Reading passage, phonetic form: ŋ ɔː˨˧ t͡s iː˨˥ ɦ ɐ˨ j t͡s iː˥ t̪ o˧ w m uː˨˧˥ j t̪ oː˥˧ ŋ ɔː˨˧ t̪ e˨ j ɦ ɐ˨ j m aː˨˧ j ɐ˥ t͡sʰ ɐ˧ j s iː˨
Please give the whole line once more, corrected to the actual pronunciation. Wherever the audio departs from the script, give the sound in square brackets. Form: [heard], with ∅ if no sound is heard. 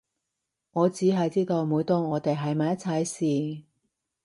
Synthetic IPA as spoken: ŋ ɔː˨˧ t͡s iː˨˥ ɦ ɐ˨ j t͡s iː˥ t̪ o˧ w m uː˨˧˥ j t̪ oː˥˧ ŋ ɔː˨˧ t̪ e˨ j ɦ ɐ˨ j m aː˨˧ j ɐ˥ t͡sʰ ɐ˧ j s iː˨